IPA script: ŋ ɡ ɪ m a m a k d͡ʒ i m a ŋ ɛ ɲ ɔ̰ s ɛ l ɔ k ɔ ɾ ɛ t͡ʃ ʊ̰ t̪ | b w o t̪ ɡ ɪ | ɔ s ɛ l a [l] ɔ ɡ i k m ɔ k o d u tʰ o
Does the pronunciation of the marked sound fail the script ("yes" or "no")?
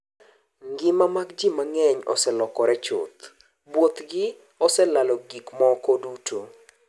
no